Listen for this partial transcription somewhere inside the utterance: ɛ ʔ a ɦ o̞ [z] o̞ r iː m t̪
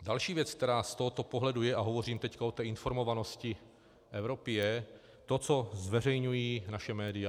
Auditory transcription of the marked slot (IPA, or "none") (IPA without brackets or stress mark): v